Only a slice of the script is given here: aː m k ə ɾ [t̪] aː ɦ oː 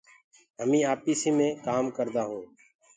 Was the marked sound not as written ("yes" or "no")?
yes